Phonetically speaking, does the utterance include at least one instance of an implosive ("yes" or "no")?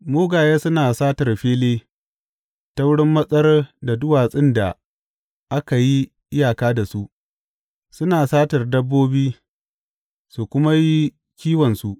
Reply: no